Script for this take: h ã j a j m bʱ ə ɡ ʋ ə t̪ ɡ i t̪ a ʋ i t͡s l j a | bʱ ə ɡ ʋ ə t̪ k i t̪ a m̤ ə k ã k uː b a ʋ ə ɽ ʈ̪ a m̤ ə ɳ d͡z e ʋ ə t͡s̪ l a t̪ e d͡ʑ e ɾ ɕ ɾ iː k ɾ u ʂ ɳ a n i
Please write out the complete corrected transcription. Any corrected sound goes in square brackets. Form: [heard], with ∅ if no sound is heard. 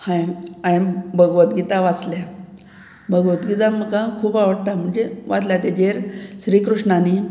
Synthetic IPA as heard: h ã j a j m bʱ ə ɡ ʋ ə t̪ ɡ i t̪ a ʋ [a] t͡s l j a | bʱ ə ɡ ʋ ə t̪ [ɡ] i t̪ a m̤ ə k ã [kʰ] uː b a ʋ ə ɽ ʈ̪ a m̤ ə ɳ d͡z e ʋ [a] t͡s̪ l a t̪ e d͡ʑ e ɾ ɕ ɾ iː k ɾ u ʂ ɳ a n i